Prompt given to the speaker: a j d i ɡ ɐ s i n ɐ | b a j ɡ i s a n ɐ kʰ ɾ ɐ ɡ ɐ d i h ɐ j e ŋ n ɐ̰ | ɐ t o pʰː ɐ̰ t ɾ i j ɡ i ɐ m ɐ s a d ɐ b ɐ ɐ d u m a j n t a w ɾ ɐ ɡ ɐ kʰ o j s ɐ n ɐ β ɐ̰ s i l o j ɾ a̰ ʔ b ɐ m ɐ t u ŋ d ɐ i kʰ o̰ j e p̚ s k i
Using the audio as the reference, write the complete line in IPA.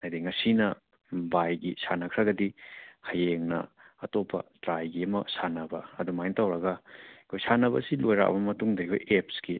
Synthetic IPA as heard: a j d i ŋ ɐ s i n ɐ | b a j ɡ i s a n ɐ kʰ ɾ ɐ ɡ ɐ d i h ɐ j e ŋ n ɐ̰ | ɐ t o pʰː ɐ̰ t ɾ a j ɡ i ɐ m ɐ s a n ɐ b ɐ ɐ d u m a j n t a w ɾ ɐ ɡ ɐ kʰ o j s a n ɐ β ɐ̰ s i l o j ɾ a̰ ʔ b ɐ m ɐ t u ŋ d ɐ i kʰ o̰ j e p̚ s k i